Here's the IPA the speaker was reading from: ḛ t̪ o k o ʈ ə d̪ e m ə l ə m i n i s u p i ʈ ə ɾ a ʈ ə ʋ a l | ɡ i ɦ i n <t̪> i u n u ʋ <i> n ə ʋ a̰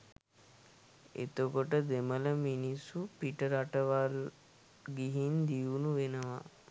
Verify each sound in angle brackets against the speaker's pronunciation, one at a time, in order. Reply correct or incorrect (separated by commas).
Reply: incorrect, incorrect